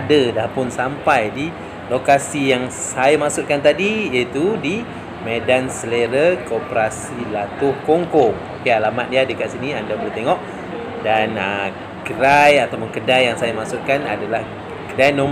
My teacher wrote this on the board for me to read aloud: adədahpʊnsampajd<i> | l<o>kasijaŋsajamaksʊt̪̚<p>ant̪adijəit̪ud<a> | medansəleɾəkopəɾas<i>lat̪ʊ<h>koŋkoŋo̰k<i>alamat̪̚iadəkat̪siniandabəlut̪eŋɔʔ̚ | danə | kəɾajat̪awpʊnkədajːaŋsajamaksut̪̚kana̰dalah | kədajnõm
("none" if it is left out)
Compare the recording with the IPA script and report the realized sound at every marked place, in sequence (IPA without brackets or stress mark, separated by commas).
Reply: i, o, k, i, i, h, e